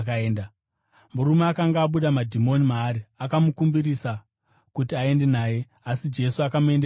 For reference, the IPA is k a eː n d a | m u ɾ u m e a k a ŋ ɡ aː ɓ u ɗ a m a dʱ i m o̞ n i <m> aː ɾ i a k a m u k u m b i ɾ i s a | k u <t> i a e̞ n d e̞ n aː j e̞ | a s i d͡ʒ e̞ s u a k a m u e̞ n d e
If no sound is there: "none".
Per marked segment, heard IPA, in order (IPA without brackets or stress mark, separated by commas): m, t